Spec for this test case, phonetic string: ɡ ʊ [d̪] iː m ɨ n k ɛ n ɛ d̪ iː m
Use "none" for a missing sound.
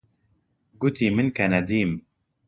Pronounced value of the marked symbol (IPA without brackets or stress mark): t̪